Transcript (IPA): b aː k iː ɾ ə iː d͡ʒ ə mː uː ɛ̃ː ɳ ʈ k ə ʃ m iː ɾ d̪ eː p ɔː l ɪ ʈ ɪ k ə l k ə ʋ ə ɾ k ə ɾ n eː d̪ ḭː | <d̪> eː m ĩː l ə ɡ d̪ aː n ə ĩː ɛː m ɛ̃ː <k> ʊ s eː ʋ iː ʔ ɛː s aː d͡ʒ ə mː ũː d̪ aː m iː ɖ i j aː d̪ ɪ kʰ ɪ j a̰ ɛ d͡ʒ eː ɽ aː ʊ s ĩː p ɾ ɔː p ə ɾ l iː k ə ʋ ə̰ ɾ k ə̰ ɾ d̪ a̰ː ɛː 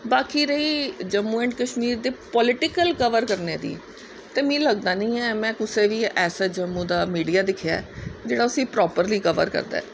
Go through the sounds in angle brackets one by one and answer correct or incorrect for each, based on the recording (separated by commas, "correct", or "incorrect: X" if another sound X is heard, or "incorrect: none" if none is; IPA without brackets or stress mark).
incorrect: t̪, correct